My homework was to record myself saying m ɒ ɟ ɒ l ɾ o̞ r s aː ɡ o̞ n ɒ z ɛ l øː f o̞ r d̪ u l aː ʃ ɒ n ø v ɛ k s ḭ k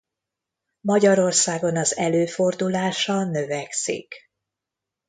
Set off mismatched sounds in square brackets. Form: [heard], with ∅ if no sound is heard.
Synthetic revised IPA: m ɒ ɟ ɒ [∅] ɾ o̞ r s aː ɡ o̞ n ɒ z ɛ l øː f o̞ r d̪ u l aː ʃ ɒ n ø v ɛ k s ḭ k